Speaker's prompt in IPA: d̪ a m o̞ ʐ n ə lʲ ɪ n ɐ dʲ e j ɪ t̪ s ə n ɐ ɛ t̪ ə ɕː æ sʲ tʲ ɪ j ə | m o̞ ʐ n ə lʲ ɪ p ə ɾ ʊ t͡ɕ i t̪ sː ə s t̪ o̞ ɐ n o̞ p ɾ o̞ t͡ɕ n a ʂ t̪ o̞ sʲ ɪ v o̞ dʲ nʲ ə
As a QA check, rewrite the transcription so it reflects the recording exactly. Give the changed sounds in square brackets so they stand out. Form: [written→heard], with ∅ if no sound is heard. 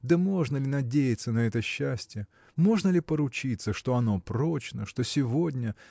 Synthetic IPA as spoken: d̪ [a→ə] m o̞ ʐ n ə lʲ ɪ n ɐ dʲ e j ɪ t̪ s ə n ɐ ɛ t̪ ə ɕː æ sʲ tʲ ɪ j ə | m o̞ ʐ n ə lʲ ɪ p ə ɾ ʊ t͡ɕ i t̪ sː ə [s→ʂ] t̪ o̞ ɐ n o̞ p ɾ o̞ t͡ɕ n [a→ə] ʂ t̪ o̞ sʲ ɪ v o̞ dʲ nʲ ə